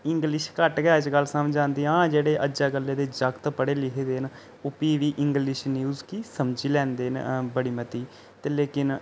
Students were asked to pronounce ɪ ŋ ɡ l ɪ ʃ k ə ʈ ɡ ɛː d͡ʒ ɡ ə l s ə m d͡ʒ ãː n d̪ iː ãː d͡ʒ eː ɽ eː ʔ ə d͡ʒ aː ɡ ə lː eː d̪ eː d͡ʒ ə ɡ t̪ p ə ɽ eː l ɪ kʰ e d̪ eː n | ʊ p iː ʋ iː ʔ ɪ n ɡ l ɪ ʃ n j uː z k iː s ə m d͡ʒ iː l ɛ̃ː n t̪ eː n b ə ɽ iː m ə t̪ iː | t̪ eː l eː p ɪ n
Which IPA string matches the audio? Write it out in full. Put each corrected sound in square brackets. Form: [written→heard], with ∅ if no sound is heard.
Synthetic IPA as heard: ɪ ŋ ɡ l ɪ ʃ k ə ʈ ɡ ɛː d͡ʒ ɡ ə l s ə m d͡ʒ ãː n d̪ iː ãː d͡ʒ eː ɽ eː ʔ ə d͡ʒ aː ɡ ə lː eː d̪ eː d͡ʒ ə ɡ t̪ p ə ɽ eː l ɪ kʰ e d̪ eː n | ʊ p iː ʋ iː ʔ ɪ [n→ŋ] ɡ l ɪ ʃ n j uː z k iː s ə m d͡ʒ iː l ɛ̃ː n [t̪→d̪] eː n b ə ɽ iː m ə t̪ iː | t̪ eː l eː [p→k] ɪ n